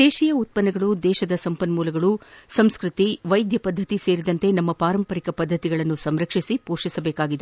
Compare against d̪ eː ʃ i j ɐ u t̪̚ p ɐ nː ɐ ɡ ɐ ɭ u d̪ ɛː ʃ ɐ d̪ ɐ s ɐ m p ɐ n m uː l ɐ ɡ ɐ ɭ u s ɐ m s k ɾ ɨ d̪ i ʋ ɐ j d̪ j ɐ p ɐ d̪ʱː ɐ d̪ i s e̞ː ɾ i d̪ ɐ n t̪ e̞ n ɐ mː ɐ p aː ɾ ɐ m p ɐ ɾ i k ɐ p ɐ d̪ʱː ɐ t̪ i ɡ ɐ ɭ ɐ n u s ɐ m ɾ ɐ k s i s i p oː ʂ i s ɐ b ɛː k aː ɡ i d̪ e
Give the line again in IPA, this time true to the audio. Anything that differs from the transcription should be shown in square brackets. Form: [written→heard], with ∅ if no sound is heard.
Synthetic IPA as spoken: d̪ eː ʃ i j ɐ u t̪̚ p ɐ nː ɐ ɡ ɐ ɭ u d̪ ɛː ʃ ɐ d̪ ɐ s ɐ m p ɐ n m uː l ɐ ɡ ɐ ɭ u s ɐ m s k ɾ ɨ [d̪→t̪] i ʋ ɐ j d̪ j ɐ p ɐ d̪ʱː ɐ [d̪→t̪] i s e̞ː ɾ i d̪ ɐ n t̪ e̞ n ɐ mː ɐ p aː ɾ ɐ m p ɐ ɾ i k ɐ p ɐ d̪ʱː ɐ t̪ i ɡ ɐ ɭ ɐ [n→nː] u s ɐ m ɾ ɐ k [s→ʂ] i s i p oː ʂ i s ɐ b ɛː k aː ɡ i d̪ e

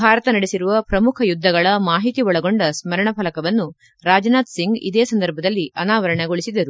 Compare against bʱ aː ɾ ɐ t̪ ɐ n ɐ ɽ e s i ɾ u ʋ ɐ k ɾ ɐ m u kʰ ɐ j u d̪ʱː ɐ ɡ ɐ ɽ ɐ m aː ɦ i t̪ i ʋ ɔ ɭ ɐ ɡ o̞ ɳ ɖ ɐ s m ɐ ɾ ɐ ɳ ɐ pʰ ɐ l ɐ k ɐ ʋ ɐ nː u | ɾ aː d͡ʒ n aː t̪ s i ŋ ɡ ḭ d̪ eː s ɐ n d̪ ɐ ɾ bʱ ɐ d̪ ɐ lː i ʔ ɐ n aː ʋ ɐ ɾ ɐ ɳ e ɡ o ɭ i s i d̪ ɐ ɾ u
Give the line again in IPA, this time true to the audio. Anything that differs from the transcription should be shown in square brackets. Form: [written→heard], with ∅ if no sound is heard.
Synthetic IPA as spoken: bʱ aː ɾ ɐ t̪ ɐ n ɐ ɽ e s i ɾ u ʋ ɐ [k→p] ɾ ɐ m u kʰ ɐ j u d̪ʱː ɐ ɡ ɐ [ɽ→ɭ] ɐ m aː ɦ i t̪ i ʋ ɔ ɭ ɐ ɡ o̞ ɳ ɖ ɐ s m ɐ ɾ ɐ ɳ ɐ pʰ ɐ l ɐ k ɐ ʋ ɐ nː u | ɾ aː d͡ʒ n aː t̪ s i ŋ ɡ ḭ d̪ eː s ɐ n d̪ ɐ ɾ bʱ ɐ d̪ ɐ lː i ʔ ɐ n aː ʋ ɐ ɾ ɐ ɳ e ɡ o ɭ i s i d̪ ɐ ɾ u

